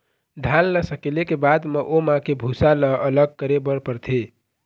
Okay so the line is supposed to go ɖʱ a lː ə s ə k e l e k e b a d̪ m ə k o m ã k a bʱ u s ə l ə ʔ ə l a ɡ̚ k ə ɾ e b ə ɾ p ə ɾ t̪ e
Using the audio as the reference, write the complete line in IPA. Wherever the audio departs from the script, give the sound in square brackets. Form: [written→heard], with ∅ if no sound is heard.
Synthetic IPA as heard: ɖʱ a lː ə s ə k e l e k e b a d̪ m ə [k→ʔ] o m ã k [a→e] bʱ u s [ə→a] l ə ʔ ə l [a→ə] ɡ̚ k ə ɾ e b ə ɾ p ə ɾ [t̪→t̪ʰ] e